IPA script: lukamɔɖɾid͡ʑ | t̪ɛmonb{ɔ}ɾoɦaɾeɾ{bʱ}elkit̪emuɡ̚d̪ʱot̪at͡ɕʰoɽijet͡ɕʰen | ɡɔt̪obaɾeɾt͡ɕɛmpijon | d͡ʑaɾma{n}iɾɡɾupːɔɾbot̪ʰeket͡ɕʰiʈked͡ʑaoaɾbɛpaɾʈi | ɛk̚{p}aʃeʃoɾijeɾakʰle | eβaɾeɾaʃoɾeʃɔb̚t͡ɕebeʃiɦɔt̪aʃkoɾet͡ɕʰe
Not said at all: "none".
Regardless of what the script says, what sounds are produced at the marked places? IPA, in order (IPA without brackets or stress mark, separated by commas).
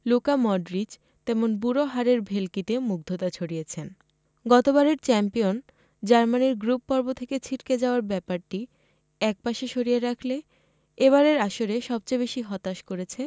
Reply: u, bʱ, n, p